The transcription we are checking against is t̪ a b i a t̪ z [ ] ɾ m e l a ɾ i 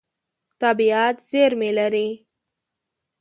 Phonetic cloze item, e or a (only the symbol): e